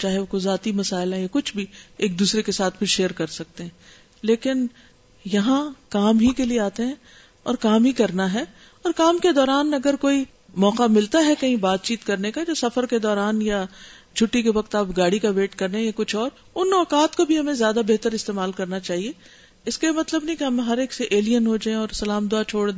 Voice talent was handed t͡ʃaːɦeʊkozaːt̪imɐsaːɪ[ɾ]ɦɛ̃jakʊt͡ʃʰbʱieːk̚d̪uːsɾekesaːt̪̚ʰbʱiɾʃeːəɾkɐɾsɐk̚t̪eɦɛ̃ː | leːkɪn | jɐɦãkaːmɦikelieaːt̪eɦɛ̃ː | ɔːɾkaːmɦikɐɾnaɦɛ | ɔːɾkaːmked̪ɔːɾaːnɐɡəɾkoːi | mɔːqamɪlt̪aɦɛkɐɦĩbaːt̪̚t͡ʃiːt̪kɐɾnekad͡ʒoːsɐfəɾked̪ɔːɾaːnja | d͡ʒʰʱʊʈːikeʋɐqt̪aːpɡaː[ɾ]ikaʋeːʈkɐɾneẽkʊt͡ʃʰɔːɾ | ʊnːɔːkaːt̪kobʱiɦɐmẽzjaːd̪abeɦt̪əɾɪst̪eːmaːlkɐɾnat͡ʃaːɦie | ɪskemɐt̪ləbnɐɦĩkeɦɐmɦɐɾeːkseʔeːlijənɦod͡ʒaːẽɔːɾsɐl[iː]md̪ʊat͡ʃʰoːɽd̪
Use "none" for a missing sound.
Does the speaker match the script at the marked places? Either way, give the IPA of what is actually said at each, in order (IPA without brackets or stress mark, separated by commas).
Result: l, ɽ, aː